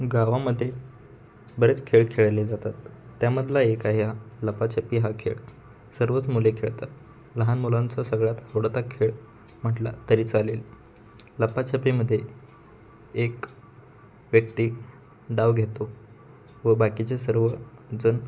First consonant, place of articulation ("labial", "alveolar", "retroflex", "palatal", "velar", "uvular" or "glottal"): velar